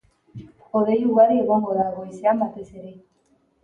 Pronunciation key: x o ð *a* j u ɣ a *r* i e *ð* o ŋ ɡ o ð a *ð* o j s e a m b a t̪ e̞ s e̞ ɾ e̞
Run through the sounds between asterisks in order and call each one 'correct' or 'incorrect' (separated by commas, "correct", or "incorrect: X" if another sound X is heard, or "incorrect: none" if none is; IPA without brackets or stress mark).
incorrect: e, incorrect: ɾ, incorrect: ɣ, incorrect: ɣ